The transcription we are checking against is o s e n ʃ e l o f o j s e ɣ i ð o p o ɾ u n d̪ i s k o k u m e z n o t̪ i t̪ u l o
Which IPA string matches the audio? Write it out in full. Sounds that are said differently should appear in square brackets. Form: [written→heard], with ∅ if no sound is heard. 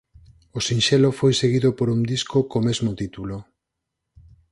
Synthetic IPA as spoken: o s [e→i] n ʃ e l o f o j s e ɣ i ð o p o ɾ u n d̪ i s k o k [u→o] m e z [n→m] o t̪ i t̪ u l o

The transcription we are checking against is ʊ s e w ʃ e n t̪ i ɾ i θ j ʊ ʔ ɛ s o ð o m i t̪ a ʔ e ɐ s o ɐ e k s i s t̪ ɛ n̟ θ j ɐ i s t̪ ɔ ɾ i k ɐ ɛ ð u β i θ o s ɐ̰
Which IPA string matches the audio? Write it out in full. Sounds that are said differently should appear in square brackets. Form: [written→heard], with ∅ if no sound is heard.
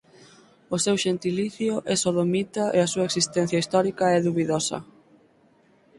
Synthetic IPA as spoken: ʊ s e w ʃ e n t̪ i [ɾ→l] i θ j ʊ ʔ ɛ s o ð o m i t̪ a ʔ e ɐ s [o→u] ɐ e k s i s t̪ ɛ n̟ θ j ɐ i s t̪ ɔ ɾ i k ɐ ɛ ð u β i [θ→ð] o s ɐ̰

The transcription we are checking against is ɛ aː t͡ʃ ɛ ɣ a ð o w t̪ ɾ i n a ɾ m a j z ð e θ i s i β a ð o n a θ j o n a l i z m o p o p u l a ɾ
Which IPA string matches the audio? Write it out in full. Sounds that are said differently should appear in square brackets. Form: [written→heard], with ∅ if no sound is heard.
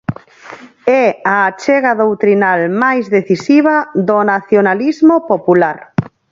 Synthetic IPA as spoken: ɛ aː t͡ʃ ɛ ɣ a ð o w t̪ ɾ i n a [ɾ→l] m a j z ð e θ i s i β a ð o n a θ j o n a l i z m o p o p u l a ɾ

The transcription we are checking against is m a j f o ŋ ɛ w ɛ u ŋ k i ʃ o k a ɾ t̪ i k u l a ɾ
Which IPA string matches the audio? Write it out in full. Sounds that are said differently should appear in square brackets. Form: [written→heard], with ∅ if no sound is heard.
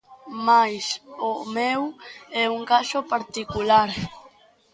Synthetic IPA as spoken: m a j [f→s] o [ŋ→m] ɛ w ɛ u ŋ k [i→a] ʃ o [k→p] a ɾ t̪ i k u l a ɾ

